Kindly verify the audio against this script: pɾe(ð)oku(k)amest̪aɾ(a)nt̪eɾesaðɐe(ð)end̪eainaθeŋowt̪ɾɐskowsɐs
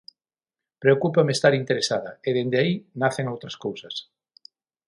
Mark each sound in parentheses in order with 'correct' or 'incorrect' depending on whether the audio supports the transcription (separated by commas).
incorrect, incorrect, incorrect, correct